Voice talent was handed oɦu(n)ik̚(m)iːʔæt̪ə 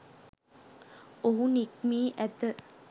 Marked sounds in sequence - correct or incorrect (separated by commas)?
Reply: correct, correct